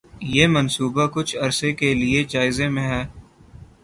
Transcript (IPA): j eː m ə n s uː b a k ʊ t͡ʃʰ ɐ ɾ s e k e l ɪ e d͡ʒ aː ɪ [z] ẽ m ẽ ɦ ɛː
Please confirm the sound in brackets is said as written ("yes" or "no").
yes